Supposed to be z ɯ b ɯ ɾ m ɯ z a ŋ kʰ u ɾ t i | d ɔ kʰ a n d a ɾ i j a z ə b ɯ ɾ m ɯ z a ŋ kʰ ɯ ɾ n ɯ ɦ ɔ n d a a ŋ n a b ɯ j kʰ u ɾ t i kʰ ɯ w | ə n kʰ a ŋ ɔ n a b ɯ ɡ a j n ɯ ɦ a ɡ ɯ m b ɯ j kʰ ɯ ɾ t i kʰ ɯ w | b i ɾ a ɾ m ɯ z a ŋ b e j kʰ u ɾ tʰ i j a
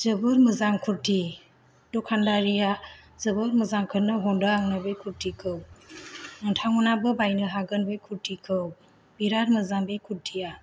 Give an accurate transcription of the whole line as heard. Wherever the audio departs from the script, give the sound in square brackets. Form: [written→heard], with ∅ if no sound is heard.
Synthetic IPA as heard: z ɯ b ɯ ɾ m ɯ z a ŋ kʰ u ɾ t i | d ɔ kʰ a n d a ɾ i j a z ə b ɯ ɾ m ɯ z a ŋ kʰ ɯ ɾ n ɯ ɦ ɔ n d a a ŋ n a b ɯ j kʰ u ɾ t i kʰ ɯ w | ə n [kʰ→tʰ] a ŋ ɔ n a b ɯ [ɡ→b] a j n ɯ ɦ a ɡ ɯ [m→n] b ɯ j kʰ [ɯ→u] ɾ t i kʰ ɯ w | b i ɾ a ɾ m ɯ z a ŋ b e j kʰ u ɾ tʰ i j a